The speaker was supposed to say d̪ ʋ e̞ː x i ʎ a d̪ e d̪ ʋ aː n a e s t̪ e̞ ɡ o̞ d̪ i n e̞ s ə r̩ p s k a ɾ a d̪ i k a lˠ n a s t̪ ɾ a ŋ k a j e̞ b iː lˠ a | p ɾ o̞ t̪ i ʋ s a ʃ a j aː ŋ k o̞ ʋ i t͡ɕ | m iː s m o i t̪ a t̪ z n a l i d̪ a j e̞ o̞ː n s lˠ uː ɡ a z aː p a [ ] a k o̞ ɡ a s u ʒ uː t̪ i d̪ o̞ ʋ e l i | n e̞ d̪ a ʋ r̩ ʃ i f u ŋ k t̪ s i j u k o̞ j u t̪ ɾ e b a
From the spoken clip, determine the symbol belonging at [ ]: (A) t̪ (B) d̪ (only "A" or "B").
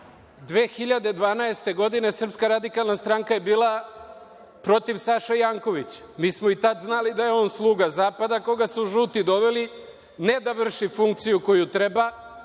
B